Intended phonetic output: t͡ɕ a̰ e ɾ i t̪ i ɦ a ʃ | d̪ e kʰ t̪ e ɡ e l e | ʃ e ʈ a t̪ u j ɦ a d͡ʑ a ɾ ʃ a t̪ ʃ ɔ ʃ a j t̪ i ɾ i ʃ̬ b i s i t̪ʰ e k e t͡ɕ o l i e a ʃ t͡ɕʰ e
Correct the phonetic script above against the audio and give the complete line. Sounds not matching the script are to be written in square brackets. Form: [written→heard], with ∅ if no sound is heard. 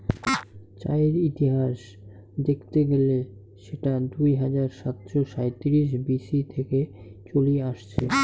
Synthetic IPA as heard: t͡ɕ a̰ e ɾ i t̪ i ɦ a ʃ | d̪ e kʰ t̪ e ɡ e l e | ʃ e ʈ a [t̪→d̪] u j ɦ a d͡ʑ a ɾ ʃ a t̪ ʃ [ɔ→o] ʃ a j t̪ i ɾ i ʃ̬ b i s i t̪ʰ e k e t͡ɕ o l i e a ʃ t͡ɕʰ e